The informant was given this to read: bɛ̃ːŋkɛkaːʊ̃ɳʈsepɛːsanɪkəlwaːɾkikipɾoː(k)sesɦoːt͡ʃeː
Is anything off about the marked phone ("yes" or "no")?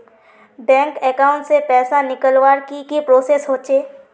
yes